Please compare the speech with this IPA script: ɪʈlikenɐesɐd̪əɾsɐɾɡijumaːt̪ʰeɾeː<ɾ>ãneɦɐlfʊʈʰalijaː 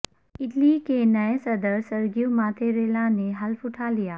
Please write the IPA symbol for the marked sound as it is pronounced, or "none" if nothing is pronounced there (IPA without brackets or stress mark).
l